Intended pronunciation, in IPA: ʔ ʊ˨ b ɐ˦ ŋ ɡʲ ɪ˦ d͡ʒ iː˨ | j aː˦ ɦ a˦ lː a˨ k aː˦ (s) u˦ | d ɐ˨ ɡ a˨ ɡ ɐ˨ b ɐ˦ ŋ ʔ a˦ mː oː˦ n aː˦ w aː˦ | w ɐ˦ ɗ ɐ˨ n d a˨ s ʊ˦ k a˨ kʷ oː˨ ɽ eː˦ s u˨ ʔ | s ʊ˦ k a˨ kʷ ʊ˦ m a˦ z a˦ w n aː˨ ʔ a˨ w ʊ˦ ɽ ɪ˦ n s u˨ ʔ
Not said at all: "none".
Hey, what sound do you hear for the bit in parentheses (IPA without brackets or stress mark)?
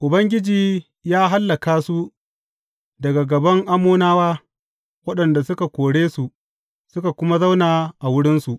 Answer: s